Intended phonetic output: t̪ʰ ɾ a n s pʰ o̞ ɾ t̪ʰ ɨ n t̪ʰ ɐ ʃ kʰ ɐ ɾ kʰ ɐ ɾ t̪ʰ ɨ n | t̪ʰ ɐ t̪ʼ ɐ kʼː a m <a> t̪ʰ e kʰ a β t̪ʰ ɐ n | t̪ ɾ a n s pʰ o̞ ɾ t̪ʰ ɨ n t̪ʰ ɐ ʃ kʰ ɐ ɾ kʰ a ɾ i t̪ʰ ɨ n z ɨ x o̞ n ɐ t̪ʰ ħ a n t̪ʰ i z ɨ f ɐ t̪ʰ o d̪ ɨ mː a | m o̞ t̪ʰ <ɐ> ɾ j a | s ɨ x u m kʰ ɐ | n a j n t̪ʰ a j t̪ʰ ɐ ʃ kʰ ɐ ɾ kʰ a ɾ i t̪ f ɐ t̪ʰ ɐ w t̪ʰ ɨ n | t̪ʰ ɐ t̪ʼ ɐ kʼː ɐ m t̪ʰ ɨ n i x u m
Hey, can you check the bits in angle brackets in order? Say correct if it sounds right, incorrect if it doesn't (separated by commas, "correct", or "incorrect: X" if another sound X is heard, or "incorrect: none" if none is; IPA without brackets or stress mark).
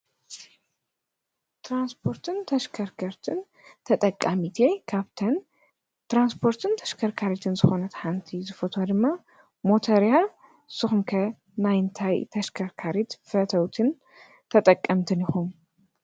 incorrect: i, correct